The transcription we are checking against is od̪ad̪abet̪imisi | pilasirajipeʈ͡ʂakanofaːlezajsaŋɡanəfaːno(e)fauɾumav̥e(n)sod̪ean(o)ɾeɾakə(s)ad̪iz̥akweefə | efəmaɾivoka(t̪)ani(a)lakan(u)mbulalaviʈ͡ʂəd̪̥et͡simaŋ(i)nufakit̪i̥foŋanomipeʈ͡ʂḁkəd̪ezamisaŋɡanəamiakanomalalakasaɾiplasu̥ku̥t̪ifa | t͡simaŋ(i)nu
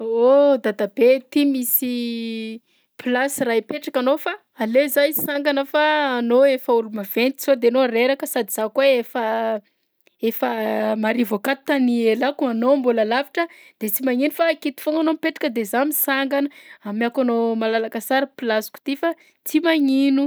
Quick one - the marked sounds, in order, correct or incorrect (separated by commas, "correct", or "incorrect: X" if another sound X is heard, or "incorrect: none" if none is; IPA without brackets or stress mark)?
correct, correct, correct, correct, correct, incorrect: e, incorrect: o, correct, correct